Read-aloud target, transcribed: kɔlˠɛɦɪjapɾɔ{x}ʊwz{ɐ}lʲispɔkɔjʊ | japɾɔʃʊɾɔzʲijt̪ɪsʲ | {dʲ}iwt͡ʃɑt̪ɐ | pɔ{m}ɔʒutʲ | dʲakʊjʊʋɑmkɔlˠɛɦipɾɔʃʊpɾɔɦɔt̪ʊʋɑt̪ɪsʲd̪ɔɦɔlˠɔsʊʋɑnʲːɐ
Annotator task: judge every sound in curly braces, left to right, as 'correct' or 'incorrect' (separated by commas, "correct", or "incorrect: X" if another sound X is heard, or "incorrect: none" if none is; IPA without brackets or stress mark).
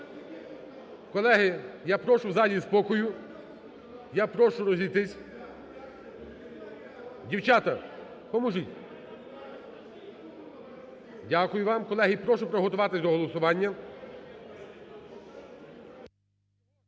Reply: incorrect: ʃ, incorrect: ɑ, correct, correct